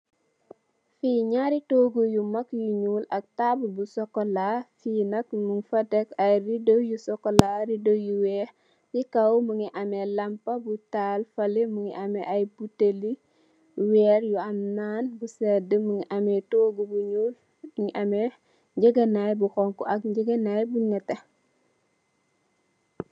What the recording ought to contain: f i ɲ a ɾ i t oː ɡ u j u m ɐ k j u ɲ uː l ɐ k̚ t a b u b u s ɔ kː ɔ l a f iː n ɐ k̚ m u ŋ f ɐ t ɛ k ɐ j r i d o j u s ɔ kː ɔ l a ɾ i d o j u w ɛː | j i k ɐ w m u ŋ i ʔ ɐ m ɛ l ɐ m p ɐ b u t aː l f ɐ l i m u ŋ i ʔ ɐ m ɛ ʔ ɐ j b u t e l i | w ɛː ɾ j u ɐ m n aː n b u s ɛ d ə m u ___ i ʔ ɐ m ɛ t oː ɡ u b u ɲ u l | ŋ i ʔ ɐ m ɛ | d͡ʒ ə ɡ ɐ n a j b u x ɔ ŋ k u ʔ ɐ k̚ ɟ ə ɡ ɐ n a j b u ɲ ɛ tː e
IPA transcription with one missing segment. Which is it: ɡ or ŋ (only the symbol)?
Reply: ŋ